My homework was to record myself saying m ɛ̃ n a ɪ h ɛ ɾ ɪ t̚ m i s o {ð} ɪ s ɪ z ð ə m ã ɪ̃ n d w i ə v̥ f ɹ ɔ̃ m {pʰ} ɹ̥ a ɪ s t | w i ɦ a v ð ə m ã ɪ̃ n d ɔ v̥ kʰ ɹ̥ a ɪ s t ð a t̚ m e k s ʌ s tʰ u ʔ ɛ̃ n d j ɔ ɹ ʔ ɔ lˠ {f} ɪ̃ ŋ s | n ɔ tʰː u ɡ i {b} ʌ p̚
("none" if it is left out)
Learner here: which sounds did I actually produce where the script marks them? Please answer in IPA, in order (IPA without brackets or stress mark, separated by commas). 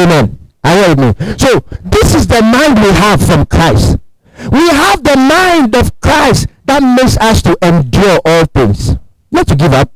ð, kʰ, θ, v